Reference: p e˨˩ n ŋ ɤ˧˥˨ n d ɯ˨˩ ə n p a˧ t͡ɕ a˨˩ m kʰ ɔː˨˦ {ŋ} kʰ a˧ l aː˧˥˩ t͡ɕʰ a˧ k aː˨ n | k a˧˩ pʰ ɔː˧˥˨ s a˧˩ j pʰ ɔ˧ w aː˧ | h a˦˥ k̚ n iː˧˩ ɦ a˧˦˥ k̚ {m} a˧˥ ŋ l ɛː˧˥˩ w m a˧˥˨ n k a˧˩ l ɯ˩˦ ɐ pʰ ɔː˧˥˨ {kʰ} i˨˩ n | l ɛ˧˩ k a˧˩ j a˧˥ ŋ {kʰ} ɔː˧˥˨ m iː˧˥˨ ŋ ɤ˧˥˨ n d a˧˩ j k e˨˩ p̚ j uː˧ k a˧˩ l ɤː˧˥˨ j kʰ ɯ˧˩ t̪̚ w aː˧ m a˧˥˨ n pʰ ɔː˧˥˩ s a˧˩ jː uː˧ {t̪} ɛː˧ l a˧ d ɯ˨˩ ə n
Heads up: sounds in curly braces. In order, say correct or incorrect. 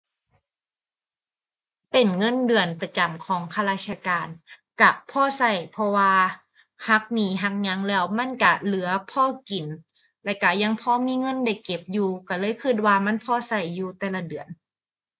correct, incorrect, incorrect, incorrect, correct

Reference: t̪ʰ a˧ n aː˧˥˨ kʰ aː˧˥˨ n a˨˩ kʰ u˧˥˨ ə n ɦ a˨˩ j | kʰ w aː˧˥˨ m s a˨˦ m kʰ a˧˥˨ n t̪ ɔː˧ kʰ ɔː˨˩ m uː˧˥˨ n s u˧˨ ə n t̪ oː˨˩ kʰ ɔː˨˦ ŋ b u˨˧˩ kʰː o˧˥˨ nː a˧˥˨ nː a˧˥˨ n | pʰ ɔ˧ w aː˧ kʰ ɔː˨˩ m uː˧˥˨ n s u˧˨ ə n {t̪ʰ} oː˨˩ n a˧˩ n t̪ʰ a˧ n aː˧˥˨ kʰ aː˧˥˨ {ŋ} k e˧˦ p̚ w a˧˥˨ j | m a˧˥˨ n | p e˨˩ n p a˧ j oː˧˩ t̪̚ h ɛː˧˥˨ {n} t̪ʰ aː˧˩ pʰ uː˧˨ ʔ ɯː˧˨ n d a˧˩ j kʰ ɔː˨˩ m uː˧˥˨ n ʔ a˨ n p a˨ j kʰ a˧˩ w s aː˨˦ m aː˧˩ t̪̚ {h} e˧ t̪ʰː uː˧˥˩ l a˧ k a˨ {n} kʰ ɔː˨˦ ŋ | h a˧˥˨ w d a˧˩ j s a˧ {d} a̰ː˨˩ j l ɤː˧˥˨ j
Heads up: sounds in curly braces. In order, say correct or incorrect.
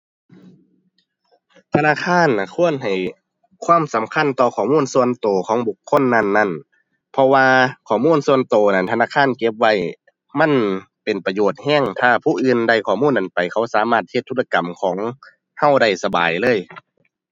incorrect, incorrect, incorrect, correct, incorrect, incorrect

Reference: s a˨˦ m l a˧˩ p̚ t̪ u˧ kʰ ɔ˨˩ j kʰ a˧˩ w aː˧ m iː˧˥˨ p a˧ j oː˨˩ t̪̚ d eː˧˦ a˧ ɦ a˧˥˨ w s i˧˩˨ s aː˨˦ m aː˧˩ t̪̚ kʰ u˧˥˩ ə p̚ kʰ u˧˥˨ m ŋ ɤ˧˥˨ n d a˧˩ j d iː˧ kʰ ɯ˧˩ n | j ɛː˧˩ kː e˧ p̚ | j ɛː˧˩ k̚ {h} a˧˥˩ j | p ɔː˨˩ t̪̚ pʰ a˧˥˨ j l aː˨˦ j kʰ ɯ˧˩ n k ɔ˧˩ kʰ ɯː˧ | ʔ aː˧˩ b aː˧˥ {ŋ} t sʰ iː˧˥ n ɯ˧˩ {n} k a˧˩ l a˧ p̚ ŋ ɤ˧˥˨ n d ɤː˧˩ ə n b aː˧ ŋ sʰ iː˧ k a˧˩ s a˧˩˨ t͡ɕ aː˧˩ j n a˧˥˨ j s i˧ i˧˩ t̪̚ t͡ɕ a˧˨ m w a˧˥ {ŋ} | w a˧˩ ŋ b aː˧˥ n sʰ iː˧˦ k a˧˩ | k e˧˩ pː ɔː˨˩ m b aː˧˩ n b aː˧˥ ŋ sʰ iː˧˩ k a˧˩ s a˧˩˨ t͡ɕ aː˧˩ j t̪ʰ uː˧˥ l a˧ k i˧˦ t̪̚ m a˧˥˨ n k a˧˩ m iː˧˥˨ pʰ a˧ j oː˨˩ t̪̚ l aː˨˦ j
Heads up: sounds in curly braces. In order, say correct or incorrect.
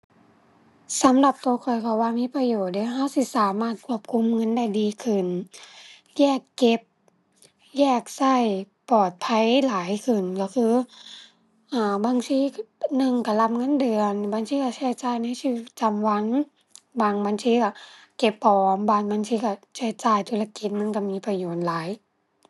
incorrect, correct, incorrect, correct

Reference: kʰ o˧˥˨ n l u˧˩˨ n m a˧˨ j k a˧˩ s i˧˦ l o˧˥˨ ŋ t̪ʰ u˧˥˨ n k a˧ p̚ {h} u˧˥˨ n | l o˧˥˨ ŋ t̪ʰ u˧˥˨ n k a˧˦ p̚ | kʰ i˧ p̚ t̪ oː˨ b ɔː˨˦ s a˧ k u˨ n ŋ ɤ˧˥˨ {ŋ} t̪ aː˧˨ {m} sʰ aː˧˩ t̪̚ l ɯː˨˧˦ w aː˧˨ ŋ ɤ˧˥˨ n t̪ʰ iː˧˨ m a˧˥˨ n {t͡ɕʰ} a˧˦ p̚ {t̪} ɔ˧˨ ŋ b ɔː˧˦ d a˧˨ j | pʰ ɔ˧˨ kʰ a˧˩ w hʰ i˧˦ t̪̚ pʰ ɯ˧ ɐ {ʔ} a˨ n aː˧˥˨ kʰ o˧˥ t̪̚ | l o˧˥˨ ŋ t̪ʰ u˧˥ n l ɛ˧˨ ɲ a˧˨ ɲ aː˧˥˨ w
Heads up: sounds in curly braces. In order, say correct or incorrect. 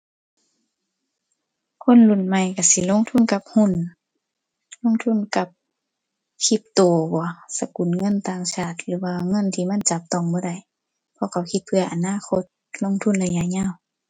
correct, incorrect, incorrect, incorrect, correct, correct

